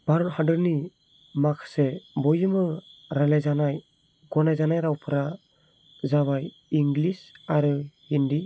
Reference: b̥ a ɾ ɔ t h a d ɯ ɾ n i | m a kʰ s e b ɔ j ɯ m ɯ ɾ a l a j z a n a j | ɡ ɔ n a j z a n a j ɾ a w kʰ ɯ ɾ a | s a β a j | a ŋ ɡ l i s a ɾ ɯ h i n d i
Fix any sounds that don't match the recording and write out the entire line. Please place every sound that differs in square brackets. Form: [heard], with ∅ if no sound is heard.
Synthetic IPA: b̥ a ɾ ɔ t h a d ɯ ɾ n i | m a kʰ s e b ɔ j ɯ m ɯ ɾ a l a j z a n a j | ɡ ɔ n a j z a n a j ɾ a w [pʰ] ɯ ɾ a | [z] a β a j | [i] ŋ ɡ l i s a ɾ ɯ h i n d i